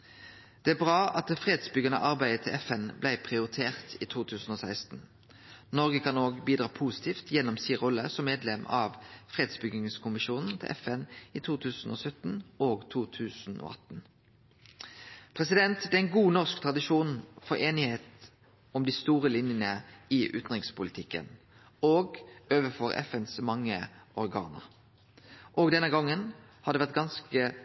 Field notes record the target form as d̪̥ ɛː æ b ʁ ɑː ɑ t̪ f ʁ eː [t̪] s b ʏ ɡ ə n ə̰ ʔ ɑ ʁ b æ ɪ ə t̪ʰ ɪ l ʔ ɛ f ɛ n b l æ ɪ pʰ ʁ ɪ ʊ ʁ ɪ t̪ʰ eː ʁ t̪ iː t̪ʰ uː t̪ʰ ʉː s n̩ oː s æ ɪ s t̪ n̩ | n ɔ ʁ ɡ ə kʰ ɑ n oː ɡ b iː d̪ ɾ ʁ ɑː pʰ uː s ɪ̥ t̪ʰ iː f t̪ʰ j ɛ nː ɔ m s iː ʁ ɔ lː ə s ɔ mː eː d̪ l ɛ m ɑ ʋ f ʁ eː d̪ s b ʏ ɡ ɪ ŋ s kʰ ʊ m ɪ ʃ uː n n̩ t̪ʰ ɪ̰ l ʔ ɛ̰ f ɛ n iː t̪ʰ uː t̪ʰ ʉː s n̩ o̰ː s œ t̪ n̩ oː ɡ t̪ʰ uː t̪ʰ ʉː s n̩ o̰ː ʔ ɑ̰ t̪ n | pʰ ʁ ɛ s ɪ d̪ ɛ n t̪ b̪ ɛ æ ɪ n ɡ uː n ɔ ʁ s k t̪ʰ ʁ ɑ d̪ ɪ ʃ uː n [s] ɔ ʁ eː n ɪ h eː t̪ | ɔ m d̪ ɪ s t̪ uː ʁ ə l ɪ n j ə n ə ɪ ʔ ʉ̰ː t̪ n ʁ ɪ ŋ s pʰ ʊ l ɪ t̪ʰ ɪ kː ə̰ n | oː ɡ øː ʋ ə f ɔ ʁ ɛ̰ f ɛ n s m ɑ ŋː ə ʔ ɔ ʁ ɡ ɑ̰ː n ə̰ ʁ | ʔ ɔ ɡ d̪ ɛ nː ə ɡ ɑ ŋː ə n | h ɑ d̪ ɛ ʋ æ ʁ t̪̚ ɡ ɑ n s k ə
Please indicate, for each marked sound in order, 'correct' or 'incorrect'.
incorrect: d̪, incorrect: f

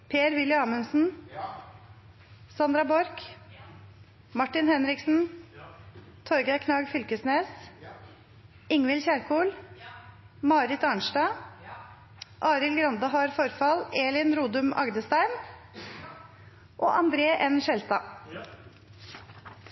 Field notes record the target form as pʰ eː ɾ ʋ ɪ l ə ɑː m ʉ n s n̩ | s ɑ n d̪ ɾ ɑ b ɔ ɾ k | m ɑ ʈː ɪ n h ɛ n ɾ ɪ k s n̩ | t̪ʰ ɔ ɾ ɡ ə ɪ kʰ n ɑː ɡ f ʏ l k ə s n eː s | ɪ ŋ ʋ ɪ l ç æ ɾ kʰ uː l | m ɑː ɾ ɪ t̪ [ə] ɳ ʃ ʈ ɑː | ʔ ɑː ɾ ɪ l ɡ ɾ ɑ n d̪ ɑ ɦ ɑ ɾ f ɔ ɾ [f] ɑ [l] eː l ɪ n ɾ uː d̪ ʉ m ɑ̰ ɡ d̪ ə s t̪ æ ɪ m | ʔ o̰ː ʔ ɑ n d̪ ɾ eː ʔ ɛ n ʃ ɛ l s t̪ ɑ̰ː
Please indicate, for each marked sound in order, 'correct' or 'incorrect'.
incorrect: ɑ, correct, correct

